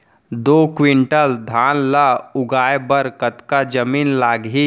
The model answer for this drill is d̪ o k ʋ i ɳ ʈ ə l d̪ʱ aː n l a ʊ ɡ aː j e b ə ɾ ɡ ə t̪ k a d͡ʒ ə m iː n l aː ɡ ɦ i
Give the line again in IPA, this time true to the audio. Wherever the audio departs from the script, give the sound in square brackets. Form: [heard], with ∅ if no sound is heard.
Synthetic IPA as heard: d̪ o k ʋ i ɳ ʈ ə l d̪ʱ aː n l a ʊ ɡ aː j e b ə ɾ [k] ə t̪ k a d͡ʒ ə m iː n l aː ɡ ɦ i